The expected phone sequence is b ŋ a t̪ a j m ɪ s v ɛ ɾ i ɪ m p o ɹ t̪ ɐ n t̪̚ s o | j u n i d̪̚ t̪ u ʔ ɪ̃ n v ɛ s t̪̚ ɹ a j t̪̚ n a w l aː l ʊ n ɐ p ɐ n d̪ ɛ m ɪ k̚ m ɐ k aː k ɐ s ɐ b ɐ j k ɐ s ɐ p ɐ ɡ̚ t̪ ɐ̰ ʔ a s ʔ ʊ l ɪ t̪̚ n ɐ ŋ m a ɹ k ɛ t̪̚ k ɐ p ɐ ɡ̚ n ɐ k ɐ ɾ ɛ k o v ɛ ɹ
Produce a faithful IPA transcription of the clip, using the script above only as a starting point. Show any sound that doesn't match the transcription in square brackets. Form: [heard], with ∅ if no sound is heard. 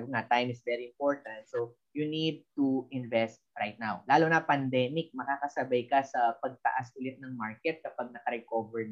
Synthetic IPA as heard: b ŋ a t̪ a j m ɪ s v ɛ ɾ i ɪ m p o ɹ t̪ ɐ n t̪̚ s o | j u n i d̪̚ t̪ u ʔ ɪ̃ n v ɛ s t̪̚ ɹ a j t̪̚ n a w l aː l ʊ n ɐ p ɐ n d̪ ɛ m ɪ k̚ m ɐ k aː k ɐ s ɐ b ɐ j k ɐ s ɐ p ɐ ɡ̚ t̪ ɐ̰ ʔ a s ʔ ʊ l ɪ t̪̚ n ɐ ŋ m a ɹ k ɛ t̪̚ k ɐ p ɐ ɡ̚ n ɐ k ɐ ɾ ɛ k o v ɛ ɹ